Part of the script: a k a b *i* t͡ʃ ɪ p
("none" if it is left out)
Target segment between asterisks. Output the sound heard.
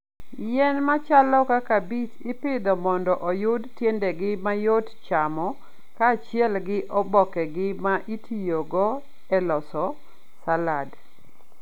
i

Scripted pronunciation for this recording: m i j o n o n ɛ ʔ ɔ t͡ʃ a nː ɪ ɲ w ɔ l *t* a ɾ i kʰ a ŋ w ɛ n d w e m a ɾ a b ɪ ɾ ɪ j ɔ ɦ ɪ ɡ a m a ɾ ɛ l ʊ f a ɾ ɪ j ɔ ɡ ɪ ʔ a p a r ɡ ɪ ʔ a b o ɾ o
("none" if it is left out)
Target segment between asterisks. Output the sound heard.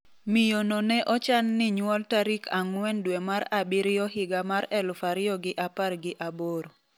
t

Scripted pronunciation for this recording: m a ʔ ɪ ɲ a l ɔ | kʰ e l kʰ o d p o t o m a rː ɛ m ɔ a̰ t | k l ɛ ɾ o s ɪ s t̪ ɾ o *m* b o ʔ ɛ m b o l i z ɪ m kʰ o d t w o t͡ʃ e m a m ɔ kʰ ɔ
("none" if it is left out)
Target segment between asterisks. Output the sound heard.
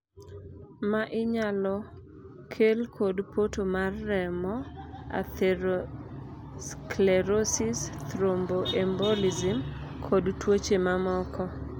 m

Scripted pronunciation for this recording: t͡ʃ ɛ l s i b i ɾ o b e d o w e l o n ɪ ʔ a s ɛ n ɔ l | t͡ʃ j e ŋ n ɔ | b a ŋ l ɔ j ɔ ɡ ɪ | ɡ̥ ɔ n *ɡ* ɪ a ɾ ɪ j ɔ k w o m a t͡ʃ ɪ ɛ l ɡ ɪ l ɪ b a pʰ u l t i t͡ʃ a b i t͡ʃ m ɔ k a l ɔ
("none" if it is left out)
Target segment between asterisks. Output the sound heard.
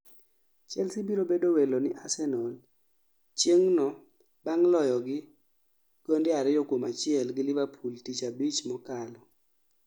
d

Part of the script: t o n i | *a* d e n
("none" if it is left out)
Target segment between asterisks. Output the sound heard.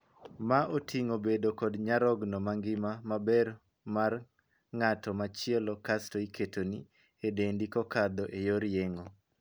e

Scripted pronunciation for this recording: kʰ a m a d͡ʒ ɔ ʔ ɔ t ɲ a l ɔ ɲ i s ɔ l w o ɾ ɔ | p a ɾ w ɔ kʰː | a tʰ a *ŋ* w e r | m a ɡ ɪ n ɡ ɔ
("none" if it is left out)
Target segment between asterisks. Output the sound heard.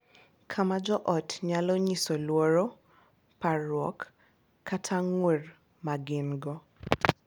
ŋ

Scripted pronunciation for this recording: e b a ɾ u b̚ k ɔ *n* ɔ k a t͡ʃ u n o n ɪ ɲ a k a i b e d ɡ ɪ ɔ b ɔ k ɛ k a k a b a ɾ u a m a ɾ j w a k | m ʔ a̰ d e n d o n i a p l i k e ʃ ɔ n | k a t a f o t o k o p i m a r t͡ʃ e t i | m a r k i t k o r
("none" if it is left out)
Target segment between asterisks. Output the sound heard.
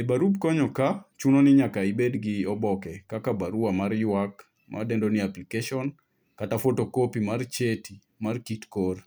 ɲ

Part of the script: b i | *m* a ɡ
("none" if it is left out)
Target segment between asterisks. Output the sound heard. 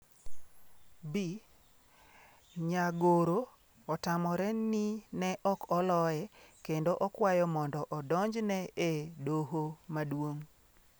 ɲ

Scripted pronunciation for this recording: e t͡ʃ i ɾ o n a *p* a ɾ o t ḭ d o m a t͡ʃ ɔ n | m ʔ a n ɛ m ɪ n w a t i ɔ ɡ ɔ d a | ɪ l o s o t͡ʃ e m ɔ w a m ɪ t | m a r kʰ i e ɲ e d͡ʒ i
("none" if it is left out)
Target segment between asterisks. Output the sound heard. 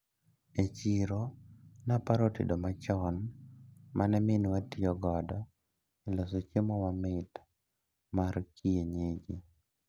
p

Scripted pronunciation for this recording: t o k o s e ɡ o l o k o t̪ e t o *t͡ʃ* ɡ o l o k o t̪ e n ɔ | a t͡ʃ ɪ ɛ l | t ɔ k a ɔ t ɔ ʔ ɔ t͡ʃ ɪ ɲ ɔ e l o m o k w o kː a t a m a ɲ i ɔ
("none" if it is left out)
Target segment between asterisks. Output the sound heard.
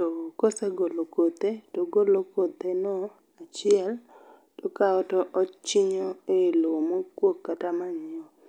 none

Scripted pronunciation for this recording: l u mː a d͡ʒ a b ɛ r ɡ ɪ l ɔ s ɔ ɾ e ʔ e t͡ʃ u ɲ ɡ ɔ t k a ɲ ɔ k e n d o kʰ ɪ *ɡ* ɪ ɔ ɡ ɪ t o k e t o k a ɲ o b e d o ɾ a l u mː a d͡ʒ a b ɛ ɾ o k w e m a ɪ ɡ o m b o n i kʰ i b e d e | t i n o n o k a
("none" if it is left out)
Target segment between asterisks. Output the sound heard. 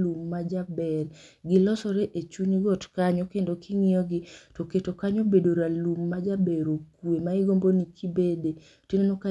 ŋ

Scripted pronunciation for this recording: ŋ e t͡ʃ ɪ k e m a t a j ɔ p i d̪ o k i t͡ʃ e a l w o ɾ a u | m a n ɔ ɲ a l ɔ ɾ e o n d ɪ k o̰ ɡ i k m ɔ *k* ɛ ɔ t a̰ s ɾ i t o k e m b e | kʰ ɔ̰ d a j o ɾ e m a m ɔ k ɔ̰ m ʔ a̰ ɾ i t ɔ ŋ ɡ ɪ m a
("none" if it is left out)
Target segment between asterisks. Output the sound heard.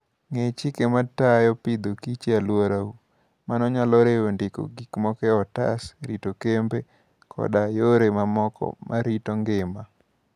k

